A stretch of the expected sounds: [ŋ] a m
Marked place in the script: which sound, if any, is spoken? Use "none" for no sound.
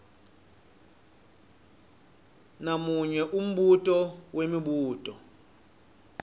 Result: n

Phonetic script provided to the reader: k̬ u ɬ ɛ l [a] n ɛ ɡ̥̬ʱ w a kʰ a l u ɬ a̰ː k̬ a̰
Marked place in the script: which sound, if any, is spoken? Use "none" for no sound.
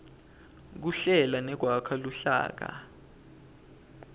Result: a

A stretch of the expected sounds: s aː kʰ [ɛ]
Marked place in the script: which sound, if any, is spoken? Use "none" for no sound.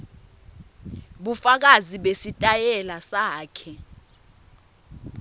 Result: ɛ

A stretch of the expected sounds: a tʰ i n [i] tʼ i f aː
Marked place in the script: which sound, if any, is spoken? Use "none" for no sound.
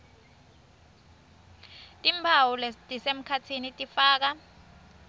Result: i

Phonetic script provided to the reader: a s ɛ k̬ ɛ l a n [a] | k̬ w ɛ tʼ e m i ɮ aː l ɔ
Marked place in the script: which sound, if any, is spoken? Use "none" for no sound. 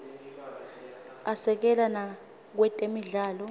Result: a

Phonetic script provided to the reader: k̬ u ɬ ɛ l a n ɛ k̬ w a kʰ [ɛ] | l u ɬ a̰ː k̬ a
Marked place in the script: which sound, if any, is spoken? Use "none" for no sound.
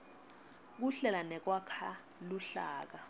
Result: a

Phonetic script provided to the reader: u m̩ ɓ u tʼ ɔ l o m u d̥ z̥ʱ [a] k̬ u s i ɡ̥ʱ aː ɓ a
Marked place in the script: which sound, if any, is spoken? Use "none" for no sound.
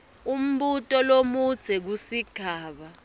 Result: ɛ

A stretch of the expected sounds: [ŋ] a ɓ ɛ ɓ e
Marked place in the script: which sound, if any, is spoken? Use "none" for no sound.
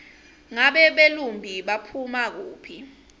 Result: ŋ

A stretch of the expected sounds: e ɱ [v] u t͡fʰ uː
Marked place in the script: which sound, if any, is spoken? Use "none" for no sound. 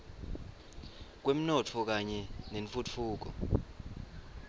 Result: f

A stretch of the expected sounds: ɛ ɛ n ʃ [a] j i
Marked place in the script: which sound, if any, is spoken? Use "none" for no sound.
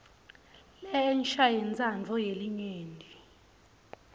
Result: a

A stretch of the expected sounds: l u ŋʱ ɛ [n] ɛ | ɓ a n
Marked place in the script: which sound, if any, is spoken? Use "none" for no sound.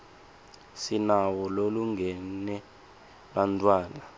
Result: n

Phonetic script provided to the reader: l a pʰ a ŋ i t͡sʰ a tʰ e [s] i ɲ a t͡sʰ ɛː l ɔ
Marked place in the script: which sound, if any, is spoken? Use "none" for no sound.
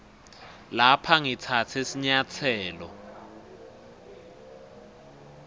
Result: s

